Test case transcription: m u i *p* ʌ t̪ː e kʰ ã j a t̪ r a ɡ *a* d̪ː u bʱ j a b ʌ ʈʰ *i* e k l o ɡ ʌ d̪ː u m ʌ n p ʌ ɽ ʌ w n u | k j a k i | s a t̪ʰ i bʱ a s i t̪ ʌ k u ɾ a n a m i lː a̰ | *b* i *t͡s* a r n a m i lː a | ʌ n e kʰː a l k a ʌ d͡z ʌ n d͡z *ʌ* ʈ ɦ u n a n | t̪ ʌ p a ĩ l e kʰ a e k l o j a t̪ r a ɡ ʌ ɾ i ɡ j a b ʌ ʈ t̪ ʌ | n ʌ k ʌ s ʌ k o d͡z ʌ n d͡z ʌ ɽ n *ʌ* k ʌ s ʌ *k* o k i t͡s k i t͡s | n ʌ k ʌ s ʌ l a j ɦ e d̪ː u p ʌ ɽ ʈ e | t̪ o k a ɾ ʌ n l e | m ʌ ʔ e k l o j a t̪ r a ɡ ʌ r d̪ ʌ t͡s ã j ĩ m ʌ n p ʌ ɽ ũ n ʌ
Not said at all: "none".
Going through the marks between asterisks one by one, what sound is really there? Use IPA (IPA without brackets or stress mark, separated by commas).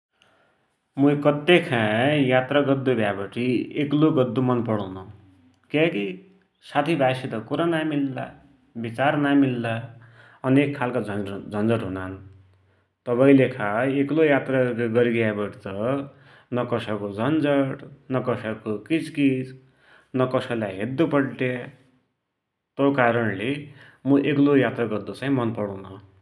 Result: k, ʌ, i, b, t͡s, ʌ, ʌ, k